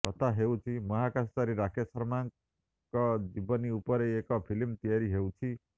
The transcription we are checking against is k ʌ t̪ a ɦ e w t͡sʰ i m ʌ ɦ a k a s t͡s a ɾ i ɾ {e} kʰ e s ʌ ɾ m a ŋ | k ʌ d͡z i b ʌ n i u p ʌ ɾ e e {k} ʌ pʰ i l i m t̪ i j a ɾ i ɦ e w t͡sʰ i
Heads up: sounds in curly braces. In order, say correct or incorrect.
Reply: incorrect: a, correct

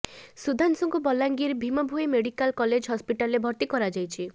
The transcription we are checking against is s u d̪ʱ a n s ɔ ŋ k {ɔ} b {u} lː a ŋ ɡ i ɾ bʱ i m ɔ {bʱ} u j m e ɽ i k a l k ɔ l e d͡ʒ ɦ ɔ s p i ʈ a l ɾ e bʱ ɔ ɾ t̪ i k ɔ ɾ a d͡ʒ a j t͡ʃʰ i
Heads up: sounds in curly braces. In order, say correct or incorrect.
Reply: incorrect: u, incorrect: ɔ, correct

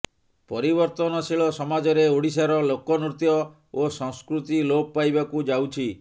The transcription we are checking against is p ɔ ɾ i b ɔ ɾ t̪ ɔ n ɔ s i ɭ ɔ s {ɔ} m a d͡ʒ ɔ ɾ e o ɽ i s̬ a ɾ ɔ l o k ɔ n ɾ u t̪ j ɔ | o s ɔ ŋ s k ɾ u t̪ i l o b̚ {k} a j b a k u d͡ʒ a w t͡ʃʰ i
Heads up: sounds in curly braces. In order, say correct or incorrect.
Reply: correct, incorrect: p

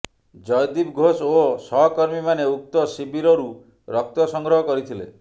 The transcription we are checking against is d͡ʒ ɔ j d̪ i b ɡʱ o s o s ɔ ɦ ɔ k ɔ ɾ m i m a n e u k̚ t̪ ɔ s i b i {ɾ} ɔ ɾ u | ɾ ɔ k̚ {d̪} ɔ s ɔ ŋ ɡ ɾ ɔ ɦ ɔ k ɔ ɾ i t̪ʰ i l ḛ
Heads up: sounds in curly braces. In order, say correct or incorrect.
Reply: correct, incorrect: t̪

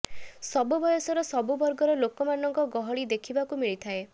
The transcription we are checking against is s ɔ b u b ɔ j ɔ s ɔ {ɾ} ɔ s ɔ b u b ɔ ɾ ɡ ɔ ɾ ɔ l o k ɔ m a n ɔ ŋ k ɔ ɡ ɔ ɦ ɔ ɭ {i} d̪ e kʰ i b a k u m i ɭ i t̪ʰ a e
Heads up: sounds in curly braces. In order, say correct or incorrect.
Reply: correct, correct

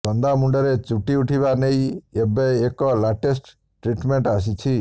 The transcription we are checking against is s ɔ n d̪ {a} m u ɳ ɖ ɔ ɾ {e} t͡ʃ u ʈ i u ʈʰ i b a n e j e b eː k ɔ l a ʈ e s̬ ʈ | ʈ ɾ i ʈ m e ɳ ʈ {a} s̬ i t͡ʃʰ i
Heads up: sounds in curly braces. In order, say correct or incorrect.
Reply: correct, correct, correct

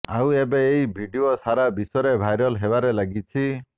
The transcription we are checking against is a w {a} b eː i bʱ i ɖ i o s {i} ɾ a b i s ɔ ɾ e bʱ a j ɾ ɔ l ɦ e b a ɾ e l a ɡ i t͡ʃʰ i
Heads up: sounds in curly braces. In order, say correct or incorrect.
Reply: incorrect: e, incorrect: a

